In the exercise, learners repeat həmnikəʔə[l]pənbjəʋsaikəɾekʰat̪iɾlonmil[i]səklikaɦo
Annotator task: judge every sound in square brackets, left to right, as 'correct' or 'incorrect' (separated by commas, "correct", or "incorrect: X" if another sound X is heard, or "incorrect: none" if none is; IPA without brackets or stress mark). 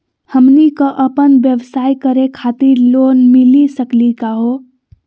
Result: incorrect: none, correct